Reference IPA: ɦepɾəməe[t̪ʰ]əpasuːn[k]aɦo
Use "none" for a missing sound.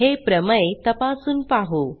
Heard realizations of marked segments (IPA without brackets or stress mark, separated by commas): t̪, p